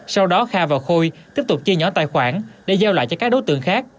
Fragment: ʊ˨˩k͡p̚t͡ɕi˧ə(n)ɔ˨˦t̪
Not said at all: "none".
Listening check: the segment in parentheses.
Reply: ɲ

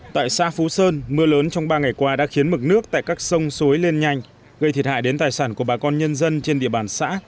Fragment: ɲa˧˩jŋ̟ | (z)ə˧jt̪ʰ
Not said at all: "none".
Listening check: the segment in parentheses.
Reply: ɣ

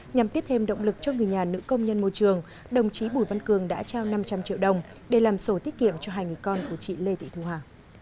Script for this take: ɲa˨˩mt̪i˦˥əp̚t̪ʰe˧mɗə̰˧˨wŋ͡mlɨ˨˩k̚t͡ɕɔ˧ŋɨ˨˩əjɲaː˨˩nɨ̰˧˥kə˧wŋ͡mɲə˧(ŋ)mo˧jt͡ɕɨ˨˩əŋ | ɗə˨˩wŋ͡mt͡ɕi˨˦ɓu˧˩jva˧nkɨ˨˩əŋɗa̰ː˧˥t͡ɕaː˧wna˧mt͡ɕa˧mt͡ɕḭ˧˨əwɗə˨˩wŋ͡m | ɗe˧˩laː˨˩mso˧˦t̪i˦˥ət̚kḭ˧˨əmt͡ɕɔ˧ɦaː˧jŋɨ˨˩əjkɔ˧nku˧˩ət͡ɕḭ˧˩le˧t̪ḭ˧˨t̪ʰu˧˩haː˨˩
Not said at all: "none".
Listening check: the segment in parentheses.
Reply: n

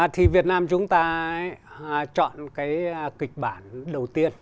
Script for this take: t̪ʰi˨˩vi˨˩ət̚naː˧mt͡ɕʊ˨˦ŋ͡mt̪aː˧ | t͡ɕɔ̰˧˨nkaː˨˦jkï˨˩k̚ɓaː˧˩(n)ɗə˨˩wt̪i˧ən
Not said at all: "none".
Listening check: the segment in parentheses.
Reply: n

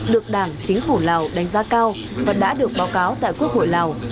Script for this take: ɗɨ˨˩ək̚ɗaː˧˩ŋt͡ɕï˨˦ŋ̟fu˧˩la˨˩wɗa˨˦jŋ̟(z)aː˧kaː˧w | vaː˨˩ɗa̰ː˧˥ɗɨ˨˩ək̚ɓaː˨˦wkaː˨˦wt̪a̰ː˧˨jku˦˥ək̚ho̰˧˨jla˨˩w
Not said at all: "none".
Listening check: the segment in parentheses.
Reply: z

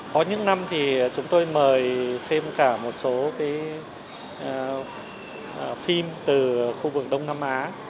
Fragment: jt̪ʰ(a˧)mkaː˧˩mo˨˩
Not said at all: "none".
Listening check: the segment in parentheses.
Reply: e˧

